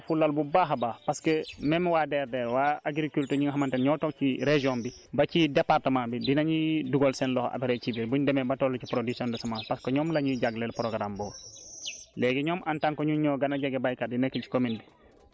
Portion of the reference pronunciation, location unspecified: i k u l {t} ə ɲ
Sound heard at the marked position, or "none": t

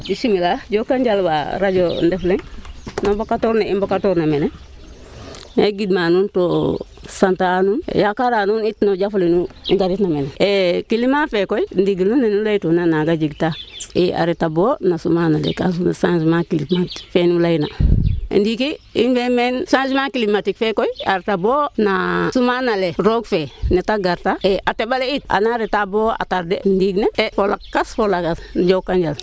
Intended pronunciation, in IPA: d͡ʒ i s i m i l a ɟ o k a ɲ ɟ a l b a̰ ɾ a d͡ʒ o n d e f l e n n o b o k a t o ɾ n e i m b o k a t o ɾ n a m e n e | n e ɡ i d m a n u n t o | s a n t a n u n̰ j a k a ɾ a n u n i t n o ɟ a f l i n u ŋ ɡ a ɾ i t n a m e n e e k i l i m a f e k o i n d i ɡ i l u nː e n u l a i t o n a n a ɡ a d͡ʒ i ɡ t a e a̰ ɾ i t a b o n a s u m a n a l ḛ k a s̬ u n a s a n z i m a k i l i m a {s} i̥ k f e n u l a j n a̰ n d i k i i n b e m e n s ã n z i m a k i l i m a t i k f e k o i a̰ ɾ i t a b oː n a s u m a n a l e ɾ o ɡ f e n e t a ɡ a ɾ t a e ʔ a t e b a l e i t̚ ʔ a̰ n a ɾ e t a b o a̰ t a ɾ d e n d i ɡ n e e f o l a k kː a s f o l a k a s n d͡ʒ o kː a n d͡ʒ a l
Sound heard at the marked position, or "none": t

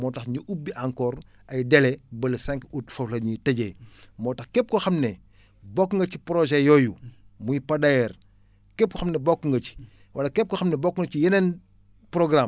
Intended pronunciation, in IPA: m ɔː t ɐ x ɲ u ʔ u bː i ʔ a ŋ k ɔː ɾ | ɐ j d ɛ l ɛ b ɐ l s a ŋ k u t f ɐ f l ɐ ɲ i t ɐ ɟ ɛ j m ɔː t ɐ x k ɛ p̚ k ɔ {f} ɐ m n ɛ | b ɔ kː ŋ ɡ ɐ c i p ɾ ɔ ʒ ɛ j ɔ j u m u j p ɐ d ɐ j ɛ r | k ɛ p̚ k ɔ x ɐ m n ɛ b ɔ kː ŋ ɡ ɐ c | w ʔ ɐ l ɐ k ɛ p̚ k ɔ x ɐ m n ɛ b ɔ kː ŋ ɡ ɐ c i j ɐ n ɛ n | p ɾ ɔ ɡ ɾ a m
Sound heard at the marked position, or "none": x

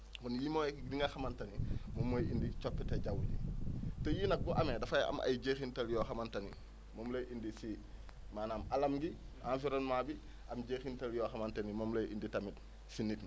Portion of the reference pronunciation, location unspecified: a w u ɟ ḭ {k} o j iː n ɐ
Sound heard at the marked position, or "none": t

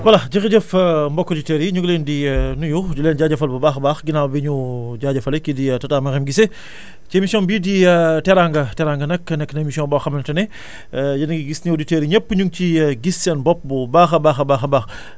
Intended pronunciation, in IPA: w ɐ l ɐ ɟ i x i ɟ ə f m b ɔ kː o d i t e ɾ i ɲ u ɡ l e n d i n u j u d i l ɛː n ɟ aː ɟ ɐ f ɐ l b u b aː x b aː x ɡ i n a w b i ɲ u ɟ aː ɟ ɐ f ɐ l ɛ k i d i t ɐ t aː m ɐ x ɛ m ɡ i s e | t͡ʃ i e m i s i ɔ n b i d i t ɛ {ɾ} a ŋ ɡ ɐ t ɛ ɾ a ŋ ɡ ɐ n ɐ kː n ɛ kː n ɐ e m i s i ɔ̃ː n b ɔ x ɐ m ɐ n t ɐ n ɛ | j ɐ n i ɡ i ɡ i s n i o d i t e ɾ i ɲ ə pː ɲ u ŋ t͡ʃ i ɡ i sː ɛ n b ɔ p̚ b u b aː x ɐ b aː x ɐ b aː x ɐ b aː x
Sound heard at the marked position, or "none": ɾ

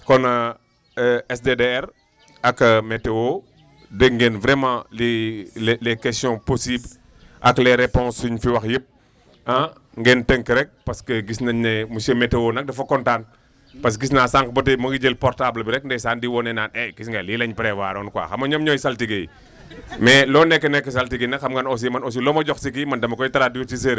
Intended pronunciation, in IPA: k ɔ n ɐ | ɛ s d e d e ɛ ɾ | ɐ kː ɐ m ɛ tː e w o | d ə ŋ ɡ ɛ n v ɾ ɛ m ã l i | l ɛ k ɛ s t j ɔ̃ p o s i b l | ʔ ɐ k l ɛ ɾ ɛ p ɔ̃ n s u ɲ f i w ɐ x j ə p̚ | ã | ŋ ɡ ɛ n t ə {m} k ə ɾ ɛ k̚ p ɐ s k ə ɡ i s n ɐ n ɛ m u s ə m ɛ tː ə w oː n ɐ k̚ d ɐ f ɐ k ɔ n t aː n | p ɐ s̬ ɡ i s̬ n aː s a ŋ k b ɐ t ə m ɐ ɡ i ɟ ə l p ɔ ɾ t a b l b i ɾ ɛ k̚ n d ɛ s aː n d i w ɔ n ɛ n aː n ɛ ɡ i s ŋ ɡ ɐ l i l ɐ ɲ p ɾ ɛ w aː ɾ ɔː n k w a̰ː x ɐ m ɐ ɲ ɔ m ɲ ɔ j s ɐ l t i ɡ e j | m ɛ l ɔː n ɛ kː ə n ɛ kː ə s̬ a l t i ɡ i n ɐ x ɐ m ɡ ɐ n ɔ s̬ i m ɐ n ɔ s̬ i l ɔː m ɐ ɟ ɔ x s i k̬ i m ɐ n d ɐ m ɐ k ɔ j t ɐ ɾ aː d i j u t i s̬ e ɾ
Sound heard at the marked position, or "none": ŋ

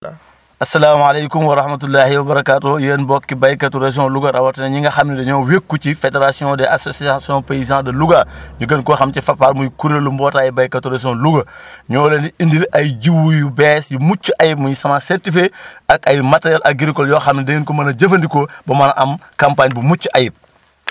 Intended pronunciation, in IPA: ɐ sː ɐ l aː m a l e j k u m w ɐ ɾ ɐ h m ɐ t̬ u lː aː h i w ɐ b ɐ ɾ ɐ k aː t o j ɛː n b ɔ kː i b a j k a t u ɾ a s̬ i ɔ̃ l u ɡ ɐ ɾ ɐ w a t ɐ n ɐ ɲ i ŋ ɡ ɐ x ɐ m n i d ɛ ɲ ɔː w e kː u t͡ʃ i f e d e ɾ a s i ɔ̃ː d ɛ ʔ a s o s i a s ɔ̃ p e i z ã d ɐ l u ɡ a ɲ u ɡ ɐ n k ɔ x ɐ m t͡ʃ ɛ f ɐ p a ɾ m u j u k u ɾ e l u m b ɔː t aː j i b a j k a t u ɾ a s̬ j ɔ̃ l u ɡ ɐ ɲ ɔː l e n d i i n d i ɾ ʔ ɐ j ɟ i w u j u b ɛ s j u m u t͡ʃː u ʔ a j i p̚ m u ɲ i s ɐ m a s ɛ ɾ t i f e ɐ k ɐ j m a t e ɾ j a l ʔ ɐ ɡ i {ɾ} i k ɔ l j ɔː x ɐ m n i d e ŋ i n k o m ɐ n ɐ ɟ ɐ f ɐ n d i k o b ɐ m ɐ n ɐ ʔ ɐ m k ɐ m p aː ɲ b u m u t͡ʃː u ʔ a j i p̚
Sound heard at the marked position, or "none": ɾ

